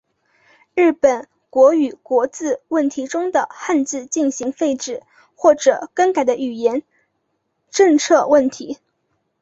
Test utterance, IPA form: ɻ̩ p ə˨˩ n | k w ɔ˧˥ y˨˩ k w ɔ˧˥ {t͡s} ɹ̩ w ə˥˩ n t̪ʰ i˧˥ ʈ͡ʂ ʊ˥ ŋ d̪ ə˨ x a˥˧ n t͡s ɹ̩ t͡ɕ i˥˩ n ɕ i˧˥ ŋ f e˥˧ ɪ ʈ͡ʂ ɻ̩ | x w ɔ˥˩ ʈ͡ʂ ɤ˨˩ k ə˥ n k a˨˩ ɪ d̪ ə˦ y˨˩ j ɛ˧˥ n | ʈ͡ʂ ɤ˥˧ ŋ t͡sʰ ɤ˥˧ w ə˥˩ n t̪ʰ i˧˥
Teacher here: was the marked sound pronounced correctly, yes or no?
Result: yes